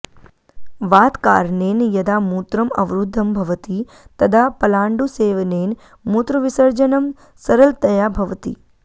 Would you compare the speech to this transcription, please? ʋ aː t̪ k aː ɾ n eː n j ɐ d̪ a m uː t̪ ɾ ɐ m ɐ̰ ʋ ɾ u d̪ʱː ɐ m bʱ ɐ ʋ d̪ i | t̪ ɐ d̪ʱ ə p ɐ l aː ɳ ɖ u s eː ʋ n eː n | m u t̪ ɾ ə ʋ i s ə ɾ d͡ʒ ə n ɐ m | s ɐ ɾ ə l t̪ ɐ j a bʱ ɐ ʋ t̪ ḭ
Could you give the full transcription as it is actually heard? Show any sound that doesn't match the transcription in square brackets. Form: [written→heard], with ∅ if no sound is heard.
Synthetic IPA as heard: ʋ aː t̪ k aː ɾ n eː n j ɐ d̪ a m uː t̪ ɾ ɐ m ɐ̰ ʋ ɾ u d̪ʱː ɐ m bʱ ɐ ʋ [d̪→t̪] i | t̪ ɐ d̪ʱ [ə→a] p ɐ l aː ɳ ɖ u s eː ʋ n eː n | m u t̪ ɾ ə ʋ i s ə ɾ d͡ʒ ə n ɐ m | s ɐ ɾ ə l t̪ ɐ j a bʱ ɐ ʋ t̪ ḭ